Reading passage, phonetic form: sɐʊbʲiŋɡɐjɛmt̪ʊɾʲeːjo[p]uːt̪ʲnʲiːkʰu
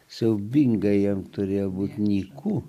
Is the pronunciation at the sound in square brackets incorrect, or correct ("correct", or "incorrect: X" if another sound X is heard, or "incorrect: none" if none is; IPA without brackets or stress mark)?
incorrect: b